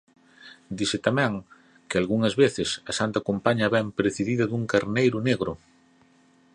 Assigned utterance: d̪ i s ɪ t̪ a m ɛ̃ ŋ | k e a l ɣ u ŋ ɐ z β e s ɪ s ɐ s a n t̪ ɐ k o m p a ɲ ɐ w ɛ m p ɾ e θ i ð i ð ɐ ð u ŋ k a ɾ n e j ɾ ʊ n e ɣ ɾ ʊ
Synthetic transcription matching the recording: d̪ i s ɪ t̪ a m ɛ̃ ŋ | k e a l ɣ u ŋ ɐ z β e θ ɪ s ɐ s a n t̪ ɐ k o m p a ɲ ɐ β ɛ m p ɾ e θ i ð i ð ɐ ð u ŋ k a ɾ n e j ɾ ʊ n e ɣ ɾ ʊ